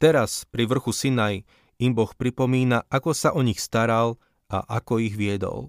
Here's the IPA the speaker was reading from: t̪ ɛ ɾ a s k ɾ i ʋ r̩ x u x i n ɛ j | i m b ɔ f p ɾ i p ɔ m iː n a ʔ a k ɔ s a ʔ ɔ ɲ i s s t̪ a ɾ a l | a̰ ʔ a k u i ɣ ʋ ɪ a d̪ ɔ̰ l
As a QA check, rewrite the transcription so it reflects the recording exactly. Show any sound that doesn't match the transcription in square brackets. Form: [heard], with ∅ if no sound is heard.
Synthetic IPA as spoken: t̪ ɛ ɾ a s [p] ɾ i ʋ r̩ x u [s] i n [a] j | i m b ɔ [x] p ɾ i p ɔ m iː n a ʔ a k ɔ s a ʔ ɔ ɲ i [x] s t̪ a ɾ a l | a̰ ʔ a k [ɔ] i ɣ ʋ ɪ [ɛ] d̪ ɔ̰ l